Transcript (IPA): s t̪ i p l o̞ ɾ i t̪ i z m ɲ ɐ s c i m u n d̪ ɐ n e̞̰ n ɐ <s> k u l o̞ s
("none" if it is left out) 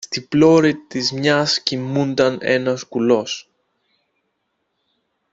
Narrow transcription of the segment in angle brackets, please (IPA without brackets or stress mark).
s